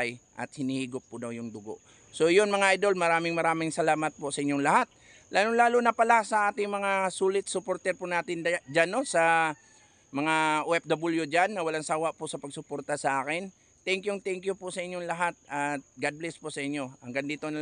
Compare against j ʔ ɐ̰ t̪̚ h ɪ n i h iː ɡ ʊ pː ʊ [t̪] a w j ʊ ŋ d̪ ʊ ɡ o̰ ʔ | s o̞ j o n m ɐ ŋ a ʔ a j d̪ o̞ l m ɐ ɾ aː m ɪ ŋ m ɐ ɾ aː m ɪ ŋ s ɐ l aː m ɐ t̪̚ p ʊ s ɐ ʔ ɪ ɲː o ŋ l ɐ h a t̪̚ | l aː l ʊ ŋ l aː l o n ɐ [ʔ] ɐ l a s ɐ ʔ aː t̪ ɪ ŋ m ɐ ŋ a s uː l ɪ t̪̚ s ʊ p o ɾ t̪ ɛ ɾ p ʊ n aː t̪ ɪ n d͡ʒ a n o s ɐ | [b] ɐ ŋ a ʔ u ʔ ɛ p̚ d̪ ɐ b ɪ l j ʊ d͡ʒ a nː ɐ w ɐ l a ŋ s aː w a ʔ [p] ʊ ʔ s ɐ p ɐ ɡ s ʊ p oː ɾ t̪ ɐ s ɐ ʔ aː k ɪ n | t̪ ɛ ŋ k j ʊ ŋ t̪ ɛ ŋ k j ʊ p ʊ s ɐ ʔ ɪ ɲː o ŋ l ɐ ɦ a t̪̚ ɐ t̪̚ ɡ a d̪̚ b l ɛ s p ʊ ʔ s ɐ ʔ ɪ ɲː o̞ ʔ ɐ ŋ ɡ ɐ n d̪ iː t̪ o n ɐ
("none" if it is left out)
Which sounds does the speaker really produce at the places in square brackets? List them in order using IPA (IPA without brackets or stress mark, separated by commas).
d̪, p, m, p